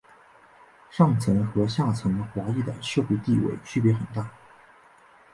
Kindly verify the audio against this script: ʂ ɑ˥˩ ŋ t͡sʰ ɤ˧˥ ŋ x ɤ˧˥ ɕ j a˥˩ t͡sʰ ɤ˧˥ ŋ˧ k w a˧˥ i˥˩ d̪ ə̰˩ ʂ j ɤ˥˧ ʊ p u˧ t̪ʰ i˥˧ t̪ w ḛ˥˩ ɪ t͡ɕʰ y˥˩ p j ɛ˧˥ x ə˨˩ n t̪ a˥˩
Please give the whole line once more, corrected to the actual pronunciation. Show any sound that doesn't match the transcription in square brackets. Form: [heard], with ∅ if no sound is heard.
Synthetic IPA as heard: ʂ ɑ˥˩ ŋ t͡sʰ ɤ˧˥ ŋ x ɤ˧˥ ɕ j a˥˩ t͡sʰ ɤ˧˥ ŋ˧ [x] w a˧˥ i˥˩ d̪ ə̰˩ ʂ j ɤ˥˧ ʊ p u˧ [t̪] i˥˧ [∅] w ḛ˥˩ ɪ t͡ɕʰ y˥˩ p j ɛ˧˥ x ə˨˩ n t̪ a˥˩